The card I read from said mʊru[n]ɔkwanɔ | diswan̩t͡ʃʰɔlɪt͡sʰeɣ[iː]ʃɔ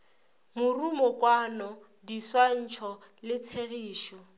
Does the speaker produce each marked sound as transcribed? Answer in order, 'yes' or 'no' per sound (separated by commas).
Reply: no, yes